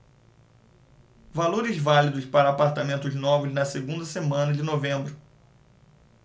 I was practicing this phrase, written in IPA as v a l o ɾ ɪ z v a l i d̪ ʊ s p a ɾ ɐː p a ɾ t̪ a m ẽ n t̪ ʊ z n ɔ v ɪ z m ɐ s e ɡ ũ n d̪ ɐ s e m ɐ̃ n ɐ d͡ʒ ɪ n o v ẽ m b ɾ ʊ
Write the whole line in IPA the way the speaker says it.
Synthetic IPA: v a l o ɾ ɪ z v a l i d̪ ʊ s p a ɾ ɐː p a ɾ t̪ a m ẽ n t̪ ʊ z n ɔ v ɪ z n ɐ s e ɡ ũ n d̪ ɐ s e m ɐ̃ n ɐ d͡ʒ ɪ n o v ẽ m b ɾ ʊ